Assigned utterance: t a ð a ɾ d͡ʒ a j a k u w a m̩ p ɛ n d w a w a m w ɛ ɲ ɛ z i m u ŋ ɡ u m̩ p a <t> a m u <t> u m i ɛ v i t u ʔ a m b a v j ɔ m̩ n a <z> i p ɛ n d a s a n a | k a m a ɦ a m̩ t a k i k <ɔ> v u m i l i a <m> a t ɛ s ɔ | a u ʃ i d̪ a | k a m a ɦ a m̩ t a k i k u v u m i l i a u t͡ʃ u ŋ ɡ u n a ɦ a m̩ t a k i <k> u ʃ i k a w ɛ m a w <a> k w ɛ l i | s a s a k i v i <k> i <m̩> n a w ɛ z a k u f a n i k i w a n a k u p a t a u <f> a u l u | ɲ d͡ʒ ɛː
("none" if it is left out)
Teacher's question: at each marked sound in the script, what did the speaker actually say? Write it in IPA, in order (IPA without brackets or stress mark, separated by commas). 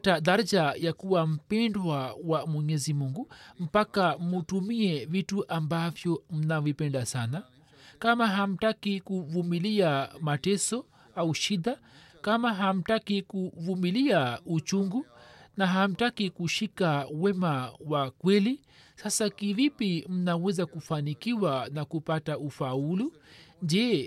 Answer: k, t, v, u, m, k, a, p, m̩, f